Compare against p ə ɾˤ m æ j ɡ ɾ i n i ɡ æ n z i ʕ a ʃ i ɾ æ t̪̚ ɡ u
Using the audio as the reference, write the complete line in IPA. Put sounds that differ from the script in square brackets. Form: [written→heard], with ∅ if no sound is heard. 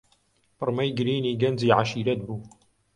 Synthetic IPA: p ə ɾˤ m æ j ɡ ɾ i n i ɡ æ n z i ʕ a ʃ i ɾ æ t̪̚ [ɡ→b] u

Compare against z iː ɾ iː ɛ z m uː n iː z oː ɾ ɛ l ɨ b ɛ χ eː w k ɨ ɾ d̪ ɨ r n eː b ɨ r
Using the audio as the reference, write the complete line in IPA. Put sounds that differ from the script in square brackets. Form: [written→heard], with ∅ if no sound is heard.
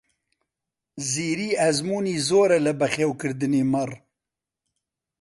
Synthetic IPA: z iː ɾ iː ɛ z m uː n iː z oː ɾ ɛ l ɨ b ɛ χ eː w k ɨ ɾ d̪ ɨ [r→∅] n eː [b→m] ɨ r

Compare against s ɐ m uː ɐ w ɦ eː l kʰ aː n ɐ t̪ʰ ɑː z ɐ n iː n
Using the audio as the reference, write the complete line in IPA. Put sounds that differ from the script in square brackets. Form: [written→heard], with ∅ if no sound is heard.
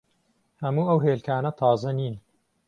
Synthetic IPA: [s→h] ɐ m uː ɐ w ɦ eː l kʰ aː n ɐ t̪ʰ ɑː z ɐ n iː n

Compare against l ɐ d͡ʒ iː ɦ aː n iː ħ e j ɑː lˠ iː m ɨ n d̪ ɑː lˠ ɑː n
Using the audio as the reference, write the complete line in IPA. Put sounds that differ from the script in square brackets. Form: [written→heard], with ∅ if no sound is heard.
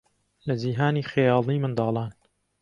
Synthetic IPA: l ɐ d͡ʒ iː ɦ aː n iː [ħ→x] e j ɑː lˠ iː m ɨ n d̪ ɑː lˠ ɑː n

